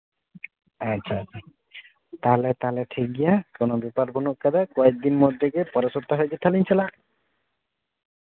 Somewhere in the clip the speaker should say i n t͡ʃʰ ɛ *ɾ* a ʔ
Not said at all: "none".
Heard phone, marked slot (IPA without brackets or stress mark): l